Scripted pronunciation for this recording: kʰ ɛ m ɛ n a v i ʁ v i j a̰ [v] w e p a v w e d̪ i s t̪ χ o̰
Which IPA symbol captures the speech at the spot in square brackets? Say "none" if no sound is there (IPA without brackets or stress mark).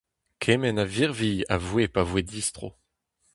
v